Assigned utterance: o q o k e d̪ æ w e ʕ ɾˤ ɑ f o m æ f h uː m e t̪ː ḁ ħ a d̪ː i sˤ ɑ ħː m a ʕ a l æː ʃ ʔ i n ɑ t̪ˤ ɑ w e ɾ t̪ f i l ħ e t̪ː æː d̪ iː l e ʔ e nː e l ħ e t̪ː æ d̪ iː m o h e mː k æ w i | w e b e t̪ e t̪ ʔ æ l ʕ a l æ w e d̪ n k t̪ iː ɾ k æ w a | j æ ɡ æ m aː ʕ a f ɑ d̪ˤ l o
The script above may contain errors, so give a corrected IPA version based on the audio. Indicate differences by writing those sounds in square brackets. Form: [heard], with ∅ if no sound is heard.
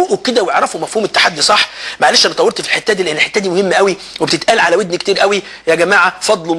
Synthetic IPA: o [ʔ] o k e d̪ æ w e ʕ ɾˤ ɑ f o m æ f h uː m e t̪ː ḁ ħ a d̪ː i sˤ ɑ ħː m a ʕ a l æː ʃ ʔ [æ] n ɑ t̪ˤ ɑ w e ɾ t̪ f i l ħ e t̪ː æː d̪ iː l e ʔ e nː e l ħ e t̪ː æ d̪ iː m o h e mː [ʔ] æ w i | w e b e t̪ e t̪ ʔ æ l ʕ a l æ w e d̪ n k t̪ iː ɾ [ʔ] æ w [i] | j æ ɡ æ m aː ʕ a f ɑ d̪ˤ l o